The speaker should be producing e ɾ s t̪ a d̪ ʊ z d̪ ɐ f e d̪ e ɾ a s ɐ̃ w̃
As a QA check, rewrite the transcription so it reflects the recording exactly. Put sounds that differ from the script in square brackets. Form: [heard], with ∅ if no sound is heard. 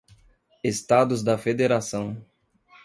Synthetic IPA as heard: e [∅] s t̪ a d̪ ʊ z d̪ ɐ f e d̪ e ɾ a s ɐ̃ w̃